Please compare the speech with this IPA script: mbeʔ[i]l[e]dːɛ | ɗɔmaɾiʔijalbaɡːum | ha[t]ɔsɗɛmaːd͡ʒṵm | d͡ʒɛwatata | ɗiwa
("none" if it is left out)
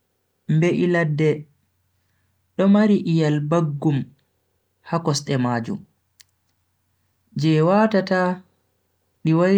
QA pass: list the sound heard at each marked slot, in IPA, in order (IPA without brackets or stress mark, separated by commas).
i, a, k